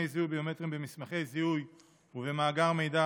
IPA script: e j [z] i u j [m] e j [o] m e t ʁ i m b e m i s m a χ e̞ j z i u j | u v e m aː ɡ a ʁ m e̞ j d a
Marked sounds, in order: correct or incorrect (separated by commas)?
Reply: correct, incorrect, correct